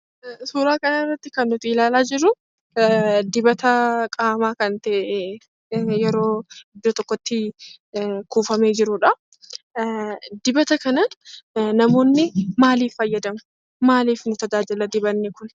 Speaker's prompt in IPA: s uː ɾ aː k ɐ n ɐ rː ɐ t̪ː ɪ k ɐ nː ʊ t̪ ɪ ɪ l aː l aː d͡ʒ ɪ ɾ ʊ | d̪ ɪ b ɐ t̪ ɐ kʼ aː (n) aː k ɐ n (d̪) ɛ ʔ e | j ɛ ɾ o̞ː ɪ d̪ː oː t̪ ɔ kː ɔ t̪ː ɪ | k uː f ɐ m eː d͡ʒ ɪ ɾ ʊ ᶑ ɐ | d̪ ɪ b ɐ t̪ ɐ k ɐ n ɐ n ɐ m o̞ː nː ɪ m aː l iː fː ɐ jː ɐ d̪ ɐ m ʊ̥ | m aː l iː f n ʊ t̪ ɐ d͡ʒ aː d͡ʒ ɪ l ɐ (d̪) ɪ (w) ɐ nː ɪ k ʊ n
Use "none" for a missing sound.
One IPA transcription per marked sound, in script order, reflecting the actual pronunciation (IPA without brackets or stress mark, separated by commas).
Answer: m, t̪, d̪, b